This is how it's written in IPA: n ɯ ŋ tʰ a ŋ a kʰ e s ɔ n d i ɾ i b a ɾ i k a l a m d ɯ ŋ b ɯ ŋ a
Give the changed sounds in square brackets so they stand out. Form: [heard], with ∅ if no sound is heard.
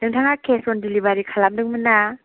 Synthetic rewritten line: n ɯ ŋ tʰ a ŋ a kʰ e s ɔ n d i [l] i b a ɾ i [kʰ] a l a m d ɯ ŋ [m] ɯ [n] a

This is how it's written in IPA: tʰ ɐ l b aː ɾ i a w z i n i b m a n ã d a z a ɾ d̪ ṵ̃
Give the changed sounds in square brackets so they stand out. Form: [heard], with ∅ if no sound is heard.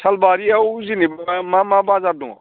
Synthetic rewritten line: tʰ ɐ l b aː ɾ i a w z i n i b m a [m] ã [b] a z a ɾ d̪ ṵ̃

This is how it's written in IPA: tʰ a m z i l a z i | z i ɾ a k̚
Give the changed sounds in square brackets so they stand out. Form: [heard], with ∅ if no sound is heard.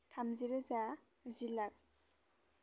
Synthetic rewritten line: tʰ a m z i [ɾ] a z [a] | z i [l] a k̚

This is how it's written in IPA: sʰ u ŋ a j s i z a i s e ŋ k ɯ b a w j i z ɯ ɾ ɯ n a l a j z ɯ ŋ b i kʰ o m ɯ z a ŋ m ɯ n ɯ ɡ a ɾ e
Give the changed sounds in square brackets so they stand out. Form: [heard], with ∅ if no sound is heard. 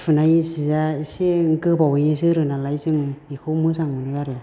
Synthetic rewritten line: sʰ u [n] a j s i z a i s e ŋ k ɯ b a w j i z ɯ ɾ ɯ n a l a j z ɯ ŋ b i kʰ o m ɯ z a ŋ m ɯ n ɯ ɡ a ɾ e

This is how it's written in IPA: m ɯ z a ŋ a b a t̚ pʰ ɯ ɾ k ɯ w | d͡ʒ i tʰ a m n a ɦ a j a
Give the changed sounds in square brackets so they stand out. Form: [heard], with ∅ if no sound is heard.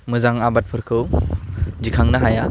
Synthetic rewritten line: m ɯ z a ŋ a b a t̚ pʰ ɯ ɾ [kʰ] ɯ w | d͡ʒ i [kʰ] a [ŋ] n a ɦ a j a

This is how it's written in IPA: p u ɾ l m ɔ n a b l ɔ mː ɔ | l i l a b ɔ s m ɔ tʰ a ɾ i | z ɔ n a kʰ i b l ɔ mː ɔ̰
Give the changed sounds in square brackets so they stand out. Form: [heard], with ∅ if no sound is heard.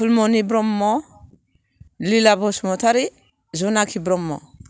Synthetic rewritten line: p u [∅] l m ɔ n [i] b [ɾ] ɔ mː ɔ | l i l a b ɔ s m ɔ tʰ a ɾ i | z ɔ n a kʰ i b [ɾ] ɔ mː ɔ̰

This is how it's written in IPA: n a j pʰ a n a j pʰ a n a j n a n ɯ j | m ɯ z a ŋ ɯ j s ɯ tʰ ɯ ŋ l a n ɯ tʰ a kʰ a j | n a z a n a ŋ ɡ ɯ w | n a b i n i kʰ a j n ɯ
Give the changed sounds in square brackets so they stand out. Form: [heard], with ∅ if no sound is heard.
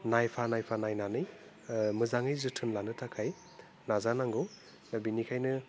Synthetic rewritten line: n a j pʰ a n a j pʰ a n a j n a n ɯ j | m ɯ z a ŋ ɯ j [z] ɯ tʰ ɯ [n] l a n ɯ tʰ a kʰ a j | n a z a n a ŋ ɡ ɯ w | n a b i n i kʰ a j n ɯ

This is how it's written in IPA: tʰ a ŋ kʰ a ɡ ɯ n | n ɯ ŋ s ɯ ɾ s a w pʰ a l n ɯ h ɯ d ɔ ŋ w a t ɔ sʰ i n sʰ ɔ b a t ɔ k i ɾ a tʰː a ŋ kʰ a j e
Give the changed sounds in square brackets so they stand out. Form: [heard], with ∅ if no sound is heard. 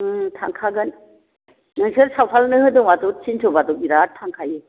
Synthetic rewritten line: tʰ a ŋ kʰ a ɡ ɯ n | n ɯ ŋ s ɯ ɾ s a w pʰ a l n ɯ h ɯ d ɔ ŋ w a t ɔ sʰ i n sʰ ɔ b a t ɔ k i ɾ a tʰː a ŋ kʰ a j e

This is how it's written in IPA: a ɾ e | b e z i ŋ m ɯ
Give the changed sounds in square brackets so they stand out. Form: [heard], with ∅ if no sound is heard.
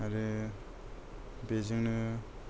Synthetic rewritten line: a ɾ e | b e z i ŋ [n] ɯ

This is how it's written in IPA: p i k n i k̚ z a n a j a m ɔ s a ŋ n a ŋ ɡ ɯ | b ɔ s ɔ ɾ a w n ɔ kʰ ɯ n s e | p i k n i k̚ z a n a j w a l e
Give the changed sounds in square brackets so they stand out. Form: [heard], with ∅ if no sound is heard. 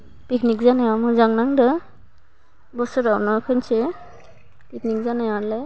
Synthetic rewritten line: p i k n i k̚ z a n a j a m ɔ [z] a ŋ n a ŋ [d] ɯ | b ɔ s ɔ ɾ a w n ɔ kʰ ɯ n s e | p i k n i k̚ z a n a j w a l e

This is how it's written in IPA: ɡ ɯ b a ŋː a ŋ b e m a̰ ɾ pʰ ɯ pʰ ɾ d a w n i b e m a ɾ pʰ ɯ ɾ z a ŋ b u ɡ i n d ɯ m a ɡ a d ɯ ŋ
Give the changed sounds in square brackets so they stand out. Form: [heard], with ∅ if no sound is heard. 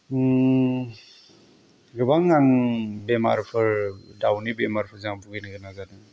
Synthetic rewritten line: ɡ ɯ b a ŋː a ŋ b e m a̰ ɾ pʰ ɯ [∅] ɾ d a w n i b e m a ɾ pʰ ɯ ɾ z a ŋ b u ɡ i n [ɡ] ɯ [n] a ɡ a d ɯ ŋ

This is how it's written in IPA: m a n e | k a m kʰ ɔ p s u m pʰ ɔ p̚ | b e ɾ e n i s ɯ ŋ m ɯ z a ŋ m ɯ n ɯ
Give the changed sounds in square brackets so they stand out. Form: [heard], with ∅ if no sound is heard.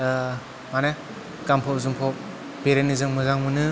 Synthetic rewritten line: m a n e | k a m [pʰ] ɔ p [z] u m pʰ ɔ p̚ | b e ɾ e n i [z] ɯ ŋ m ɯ z a ŋ m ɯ n ɯ

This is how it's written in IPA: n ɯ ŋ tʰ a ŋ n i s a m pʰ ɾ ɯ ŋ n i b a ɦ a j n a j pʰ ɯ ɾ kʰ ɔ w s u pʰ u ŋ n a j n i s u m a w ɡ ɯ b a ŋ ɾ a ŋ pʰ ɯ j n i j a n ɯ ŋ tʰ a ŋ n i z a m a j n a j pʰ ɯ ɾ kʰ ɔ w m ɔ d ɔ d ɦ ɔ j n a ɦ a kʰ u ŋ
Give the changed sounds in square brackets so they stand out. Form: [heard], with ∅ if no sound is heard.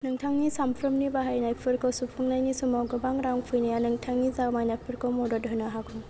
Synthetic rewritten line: n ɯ ŋ tʰ a ŋ n i s a m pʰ ɾ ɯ [m] n i b a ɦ a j n a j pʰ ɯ ɾ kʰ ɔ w s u pʰ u ŋ n a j n i s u m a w ɡ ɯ b a ŋ ɾ a ŋ pʰ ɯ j n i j a n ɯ ŋ tʰ a ŋ n i z a m a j n a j pʰ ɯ ɾ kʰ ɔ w m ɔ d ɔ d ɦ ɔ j n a ɦ a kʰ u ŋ

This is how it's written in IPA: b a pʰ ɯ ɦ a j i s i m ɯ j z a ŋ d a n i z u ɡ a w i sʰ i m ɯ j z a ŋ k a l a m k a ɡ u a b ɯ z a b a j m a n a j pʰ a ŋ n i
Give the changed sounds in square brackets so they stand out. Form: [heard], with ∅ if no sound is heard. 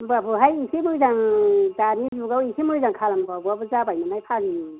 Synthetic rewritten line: b a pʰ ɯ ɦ a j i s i m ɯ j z a ŋ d a n i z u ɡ a w i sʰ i m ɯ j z a ŋ [kʰ] a l a m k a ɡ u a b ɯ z a b a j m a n a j pʰ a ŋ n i

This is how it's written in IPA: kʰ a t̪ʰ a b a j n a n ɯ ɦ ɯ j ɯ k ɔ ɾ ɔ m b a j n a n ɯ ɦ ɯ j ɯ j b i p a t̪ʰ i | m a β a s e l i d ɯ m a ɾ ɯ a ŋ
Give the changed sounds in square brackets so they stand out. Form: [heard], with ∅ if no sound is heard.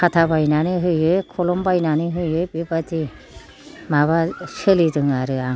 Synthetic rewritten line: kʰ a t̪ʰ a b a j n a n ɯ ɦ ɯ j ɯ [kʰ] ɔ [l] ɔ m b a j n a n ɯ ɦ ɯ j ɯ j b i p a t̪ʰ i | m a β a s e l i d ɯ [ŋ] a ɾ ɯ a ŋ

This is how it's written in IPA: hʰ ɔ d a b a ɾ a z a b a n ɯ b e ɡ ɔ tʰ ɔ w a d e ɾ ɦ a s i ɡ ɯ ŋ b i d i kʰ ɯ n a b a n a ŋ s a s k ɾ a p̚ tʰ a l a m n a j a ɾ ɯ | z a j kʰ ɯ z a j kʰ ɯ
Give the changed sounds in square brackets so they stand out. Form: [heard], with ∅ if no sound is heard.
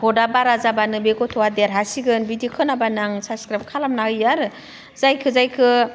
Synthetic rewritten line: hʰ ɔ d a b a ɾ a z a b a n ɯ b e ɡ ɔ tʰ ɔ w a d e ɾ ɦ a s i ɡ ɯ [n] b i d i kʰ ɯ n a b a n a ŋ s a s k ɾ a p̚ [kʰ] a l a m n a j a ɾ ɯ | z a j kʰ ɯ z a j kʰ ɯ

